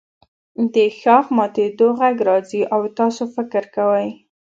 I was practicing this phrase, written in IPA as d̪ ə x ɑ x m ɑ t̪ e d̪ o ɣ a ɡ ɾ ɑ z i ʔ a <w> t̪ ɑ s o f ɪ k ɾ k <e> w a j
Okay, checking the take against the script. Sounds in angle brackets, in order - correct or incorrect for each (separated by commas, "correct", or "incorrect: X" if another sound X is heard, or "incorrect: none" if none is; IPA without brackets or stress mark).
correct, incorrect: a